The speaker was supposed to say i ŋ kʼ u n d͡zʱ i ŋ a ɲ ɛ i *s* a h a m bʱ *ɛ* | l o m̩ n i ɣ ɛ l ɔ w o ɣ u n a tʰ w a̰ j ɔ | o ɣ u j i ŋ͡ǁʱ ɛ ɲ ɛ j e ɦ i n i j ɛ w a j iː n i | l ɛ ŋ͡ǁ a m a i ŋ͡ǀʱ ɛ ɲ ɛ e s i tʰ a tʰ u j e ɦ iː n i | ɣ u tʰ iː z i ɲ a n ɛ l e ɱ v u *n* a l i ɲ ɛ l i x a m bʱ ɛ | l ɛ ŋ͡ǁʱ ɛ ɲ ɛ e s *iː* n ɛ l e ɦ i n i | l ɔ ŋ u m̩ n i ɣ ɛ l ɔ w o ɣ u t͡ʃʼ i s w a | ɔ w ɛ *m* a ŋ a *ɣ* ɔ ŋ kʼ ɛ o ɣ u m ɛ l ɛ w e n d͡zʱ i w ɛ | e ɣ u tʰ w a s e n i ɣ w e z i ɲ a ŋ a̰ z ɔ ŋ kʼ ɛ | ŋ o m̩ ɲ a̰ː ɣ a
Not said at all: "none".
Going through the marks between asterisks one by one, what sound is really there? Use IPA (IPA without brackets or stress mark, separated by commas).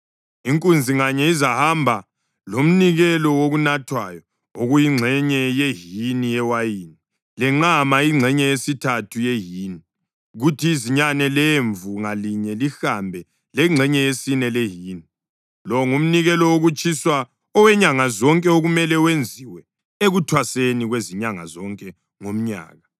z, a, ŋ, i, ɲ, z